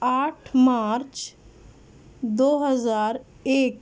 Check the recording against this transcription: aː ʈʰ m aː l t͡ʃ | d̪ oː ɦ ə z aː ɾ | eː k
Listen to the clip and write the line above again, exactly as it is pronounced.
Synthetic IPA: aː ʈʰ m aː ɾ t͡ʃ | d̪ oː ɦ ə z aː ɾ | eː k